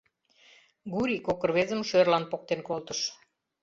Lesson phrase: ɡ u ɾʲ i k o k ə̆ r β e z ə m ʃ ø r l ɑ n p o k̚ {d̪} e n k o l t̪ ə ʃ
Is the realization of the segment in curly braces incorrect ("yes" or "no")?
yes